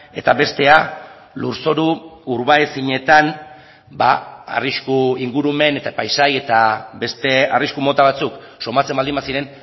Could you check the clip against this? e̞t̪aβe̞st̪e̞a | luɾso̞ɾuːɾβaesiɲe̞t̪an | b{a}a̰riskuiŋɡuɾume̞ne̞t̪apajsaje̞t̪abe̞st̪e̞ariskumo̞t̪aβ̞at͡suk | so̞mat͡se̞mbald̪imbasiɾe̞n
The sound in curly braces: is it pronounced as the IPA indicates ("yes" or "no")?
yes